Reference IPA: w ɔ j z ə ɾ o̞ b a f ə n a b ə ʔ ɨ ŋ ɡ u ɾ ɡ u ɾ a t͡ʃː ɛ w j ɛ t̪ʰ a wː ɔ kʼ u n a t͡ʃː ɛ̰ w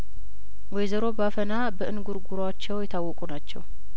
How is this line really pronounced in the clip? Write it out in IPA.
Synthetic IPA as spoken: w ɔ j z ə ɾ o̞ b a f ə n a b ə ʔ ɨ n ɡ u ɾ ɡ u ɾ a t͡ʃː ɛ w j ɛ t̪ʰ a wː ɔ kʼ u n a t͡ʃː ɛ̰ w